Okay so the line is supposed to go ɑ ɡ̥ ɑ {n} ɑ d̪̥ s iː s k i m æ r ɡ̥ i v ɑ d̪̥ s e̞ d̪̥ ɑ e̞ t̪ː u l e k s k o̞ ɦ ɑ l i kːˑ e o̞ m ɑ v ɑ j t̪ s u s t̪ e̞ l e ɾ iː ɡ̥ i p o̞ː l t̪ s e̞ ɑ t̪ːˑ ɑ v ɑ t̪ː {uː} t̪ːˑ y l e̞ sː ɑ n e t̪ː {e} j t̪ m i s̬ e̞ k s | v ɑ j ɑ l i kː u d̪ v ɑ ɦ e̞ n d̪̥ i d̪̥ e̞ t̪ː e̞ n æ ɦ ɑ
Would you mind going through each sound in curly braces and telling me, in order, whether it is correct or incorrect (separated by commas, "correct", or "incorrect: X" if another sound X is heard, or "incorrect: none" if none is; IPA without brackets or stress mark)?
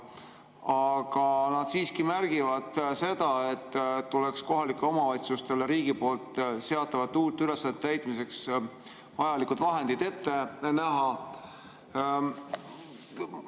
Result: correct, correct, incorrect: æ